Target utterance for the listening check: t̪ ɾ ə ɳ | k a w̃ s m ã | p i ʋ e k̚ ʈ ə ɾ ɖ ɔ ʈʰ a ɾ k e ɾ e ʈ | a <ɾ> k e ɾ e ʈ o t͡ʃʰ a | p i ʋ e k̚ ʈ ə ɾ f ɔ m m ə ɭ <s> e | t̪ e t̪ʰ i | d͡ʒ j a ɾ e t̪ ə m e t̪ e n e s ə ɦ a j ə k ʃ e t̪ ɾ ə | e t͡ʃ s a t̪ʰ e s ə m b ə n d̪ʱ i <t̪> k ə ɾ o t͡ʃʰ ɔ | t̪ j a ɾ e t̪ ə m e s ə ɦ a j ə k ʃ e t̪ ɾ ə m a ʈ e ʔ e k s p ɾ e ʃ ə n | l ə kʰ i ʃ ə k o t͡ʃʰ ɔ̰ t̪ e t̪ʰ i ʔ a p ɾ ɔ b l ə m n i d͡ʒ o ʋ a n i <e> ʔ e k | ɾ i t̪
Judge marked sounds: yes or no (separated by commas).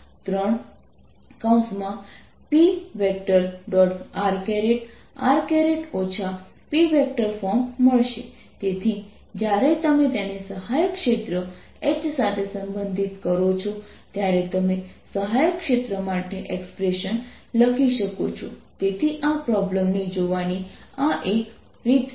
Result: yes, no, yes, no